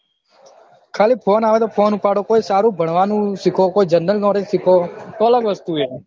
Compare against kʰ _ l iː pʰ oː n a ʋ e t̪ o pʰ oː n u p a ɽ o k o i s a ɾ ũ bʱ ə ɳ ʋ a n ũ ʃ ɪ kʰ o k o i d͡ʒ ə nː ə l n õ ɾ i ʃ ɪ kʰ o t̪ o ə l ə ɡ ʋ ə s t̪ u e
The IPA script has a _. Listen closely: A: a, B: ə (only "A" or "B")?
A